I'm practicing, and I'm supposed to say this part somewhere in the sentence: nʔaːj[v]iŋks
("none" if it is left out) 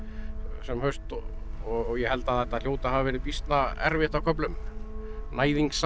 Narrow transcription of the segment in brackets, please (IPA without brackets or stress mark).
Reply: ð